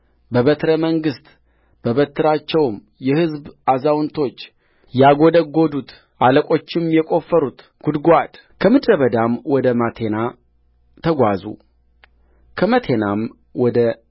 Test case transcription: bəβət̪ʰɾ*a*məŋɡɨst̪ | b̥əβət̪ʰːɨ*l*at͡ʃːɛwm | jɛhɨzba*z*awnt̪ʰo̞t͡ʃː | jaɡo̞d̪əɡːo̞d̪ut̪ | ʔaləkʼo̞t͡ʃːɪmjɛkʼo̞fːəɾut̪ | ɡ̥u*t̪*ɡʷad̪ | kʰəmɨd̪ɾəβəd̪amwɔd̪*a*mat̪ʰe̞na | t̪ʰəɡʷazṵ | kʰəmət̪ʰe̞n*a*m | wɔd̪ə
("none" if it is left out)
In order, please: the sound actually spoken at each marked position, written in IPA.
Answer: ə, ɾ, z, d̪, ə, a

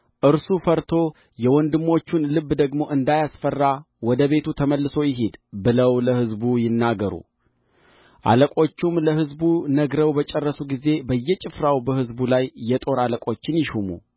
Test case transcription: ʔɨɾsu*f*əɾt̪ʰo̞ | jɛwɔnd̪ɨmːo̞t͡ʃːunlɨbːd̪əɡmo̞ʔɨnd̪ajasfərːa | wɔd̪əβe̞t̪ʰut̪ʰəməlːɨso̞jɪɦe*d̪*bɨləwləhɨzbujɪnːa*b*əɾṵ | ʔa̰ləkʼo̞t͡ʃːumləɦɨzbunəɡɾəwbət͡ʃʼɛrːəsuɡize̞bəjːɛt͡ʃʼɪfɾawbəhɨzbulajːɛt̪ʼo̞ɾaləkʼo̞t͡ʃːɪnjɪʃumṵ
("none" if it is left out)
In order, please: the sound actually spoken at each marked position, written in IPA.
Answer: f, d̪, ɡ

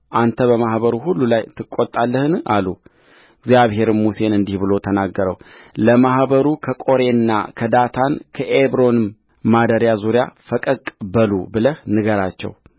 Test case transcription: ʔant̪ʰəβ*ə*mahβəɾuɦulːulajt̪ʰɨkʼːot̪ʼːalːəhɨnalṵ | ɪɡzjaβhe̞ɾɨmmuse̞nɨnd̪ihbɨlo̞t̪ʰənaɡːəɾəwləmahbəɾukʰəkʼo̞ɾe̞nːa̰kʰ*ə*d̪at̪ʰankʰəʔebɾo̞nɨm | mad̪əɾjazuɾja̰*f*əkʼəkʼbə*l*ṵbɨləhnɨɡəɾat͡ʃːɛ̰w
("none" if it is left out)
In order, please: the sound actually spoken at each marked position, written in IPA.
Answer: ə, ə, f, l

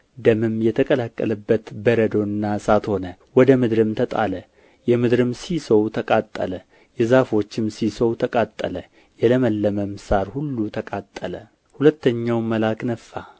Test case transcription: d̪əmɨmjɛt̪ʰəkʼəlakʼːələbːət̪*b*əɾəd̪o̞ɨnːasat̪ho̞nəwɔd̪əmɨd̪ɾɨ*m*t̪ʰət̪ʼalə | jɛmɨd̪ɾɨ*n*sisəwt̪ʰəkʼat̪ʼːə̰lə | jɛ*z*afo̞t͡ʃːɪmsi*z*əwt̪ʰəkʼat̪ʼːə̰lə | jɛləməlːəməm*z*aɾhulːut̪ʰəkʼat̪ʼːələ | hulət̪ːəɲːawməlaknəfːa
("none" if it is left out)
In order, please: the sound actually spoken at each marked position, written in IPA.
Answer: b, m, m, z, s, s

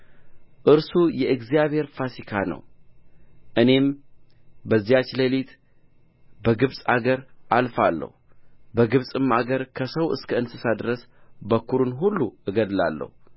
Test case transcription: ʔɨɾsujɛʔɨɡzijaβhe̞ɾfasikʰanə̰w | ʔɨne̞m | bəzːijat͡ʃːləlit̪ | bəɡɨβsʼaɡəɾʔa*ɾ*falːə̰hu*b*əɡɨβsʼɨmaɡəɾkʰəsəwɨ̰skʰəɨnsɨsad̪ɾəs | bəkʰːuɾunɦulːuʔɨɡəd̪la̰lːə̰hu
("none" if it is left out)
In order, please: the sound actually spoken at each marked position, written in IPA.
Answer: l, b

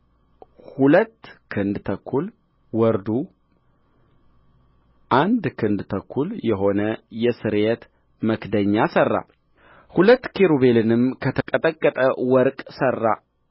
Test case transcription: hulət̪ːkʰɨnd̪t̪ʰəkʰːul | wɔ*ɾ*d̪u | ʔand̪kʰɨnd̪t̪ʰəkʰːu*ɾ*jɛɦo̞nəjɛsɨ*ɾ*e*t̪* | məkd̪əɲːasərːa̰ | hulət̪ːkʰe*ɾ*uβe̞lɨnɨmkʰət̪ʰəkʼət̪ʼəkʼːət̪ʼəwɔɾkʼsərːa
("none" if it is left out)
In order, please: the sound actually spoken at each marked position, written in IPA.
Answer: ɾ, l, ɾ, t̪, ɾ

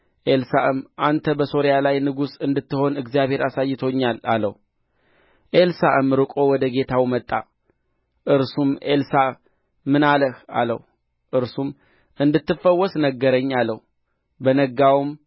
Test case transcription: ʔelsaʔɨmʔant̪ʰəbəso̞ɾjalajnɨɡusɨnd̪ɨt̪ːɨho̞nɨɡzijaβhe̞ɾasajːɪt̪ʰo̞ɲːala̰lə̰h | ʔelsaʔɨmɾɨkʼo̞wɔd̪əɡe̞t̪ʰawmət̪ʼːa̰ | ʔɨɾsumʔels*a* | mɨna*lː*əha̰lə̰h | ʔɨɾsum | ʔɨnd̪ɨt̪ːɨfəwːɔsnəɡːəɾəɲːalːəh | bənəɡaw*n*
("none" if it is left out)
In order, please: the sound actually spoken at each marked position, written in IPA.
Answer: a, l, m

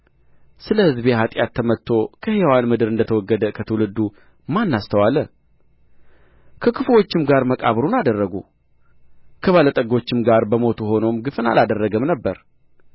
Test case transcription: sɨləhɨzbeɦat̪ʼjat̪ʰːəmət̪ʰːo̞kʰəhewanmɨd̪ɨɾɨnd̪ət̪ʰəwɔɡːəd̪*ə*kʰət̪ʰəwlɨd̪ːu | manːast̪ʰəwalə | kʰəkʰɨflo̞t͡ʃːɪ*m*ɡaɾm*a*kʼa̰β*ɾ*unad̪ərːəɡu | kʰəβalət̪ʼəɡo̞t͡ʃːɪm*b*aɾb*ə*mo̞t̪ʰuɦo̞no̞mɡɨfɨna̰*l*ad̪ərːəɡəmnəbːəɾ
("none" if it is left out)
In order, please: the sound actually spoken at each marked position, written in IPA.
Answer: ə, m, ə, ɾ, ɡ, ə, l

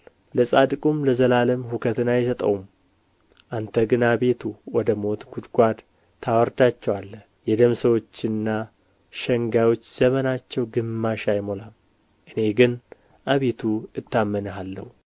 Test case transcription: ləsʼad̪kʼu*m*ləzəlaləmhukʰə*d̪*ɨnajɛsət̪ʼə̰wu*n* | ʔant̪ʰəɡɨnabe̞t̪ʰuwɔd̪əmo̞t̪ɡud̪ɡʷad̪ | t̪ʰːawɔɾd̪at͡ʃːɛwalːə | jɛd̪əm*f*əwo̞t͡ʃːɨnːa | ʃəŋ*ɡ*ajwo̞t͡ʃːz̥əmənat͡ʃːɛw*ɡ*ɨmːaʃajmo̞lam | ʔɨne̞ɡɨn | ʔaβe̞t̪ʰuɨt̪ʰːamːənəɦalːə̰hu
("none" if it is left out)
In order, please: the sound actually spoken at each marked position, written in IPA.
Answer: m, t̪, m, s, ɡ, ɡ

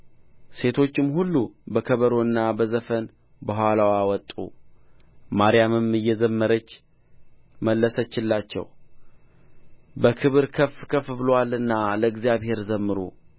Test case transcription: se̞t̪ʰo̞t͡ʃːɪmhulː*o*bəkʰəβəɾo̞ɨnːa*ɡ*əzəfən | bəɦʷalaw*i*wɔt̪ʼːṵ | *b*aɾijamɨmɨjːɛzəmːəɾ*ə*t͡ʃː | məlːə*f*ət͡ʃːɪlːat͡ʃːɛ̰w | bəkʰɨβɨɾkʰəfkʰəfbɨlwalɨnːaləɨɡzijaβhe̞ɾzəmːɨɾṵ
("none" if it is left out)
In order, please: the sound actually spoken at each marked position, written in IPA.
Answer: u, b, a, m, ə, s

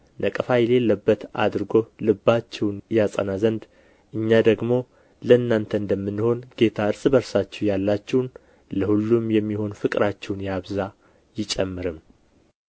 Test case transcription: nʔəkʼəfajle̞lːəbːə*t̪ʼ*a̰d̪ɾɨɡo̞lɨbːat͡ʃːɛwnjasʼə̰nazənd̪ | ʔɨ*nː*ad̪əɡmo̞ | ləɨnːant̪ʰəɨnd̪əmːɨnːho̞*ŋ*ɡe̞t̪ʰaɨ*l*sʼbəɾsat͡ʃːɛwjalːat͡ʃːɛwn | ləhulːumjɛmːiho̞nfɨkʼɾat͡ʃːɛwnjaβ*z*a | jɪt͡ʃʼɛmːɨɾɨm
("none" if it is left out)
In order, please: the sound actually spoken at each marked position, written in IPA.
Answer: t̪, ɲː, n, ɾ, z

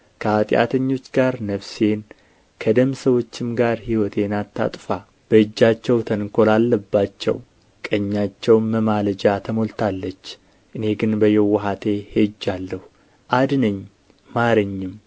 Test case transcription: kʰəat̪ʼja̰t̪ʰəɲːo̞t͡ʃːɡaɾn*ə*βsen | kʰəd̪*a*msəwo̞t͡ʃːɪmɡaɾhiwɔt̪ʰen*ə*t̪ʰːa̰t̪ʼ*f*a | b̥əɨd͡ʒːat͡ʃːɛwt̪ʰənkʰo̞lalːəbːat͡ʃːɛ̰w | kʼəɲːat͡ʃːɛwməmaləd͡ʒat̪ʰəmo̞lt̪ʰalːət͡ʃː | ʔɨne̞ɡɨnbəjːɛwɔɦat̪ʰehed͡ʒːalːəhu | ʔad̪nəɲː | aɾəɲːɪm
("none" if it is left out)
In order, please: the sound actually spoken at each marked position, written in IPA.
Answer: ə, ə, a, f

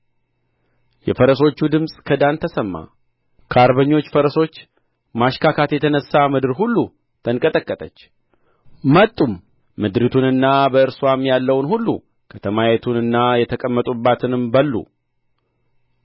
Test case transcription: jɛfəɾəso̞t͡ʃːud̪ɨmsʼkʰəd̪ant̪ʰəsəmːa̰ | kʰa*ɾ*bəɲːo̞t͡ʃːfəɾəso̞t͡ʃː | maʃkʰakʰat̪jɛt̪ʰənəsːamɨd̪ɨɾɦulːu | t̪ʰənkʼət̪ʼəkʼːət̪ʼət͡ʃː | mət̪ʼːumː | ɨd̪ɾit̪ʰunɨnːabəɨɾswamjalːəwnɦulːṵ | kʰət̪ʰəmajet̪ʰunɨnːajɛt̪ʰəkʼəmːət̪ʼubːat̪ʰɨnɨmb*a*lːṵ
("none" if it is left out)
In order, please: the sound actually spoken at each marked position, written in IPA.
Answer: ɾ, ə

